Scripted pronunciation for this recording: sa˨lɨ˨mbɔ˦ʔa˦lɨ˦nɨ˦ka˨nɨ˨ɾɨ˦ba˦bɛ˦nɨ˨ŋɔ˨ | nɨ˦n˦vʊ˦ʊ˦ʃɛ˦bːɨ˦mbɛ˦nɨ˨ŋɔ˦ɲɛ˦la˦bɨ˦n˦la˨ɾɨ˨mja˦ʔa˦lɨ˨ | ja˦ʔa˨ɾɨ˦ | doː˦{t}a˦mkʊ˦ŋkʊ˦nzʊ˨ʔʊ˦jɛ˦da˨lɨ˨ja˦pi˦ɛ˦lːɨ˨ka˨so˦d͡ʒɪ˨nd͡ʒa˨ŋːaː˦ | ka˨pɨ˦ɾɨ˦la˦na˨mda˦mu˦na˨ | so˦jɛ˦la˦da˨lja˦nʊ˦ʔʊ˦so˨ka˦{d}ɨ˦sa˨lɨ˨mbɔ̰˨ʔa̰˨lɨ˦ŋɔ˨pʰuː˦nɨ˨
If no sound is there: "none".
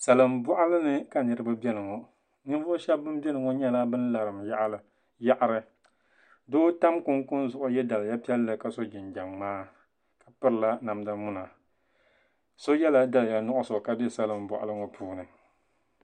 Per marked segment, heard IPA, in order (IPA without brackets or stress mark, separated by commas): t, d